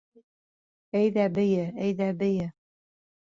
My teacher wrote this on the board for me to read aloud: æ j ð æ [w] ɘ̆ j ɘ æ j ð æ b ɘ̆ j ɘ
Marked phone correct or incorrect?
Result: incorrect